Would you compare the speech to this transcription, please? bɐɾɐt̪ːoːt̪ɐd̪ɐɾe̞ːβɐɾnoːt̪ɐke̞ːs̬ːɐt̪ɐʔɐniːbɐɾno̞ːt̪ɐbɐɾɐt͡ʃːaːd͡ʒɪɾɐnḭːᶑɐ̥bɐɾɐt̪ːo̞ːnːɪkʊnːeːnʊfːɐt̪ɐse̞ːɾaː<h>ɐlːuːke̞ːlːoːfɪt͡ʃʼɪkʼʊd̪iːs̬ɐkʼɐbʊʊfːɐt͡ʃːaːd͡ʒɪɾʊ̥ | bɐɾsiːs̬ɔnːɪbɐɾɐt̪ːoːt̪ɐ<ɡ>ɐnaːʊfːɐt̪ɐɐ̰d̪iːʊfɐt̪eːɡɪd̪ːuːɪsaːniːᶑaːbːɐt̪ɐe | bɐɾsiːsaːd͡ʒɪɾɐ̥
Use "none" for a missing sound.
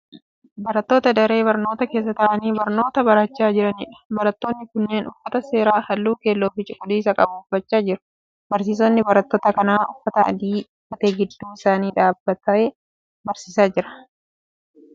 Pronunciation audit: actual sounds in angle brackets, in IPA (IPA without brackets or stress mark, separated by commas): h, k